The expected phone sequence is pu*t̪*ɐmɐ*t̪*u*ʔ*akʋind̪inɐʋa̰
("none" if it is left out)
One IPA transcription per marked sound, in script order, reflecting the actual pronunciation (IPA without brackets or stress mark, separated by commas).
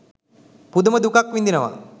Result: d̪, d̪, k